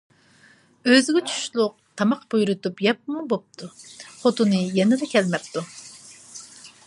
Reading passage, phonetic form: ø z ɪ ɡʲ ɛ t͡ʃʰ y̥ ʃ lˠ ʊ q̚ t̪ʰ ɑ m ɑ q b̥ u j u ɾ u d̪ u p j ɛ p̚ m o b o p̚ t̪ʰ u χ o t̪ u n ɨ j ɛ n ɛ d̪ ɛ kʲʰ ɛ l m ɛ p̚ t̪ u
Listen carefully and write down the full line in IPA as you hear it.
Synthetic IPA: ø z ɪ ɡʲ ɛ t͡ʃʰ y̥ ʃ lˠ ʊ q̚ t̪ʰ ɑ m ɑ q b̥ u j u ɾ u t̪ u p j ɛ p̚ m u b o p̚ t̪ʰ u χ o t̪ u n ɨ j ɛ n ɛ d̪ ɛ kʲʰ ɛ l m ɛ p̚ t̪ u